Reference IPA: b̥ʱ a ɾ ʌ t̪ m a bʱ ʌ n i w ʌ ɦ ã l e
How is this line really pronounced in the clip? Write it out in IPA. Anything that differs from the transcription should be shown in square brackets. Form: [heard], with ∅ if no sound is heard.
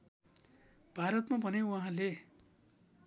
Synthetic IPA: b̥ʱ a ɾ ʌ t̪ m a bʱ ʌ n [e] w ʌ ɦ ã l e